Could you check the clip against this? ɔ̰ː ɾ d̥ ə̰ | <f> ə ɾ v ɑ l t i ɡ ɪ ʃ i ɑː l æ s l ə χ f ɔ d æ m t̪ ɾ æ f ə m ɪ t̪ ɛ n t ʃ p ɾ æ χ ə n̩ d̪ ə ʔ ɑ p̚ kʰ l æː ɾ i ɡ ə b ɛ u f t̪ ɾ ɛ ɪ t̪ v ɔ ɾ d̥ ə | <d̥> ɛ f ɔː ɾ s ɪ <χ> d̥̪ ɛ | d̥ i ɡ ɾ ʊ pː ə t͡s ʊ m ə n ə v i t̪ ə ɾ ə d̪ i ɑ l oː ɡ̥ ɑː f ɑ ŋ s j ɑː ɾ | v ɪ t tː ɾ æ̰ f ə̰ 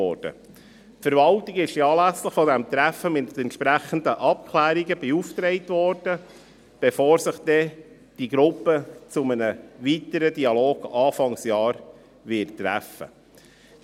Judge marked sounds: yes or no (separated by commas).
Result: yes, no, yes